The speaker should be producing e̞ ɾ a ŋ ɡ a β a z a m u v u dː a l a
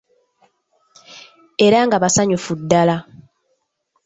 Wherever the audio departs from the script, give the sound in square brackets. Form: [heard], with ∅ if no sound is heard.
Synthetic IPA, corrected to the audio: e̞ ɾ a ŋ ɡ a β a [s] a [ɲ] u [f] u dː a l a